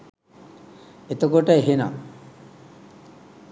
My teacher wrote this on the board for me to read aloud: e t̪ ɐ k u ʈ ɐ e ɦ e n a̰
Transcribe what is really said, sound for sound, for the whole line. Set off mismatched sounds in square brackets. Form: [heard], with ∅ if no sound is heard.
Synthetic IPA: e t̪ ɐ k [o] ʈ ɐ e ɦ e n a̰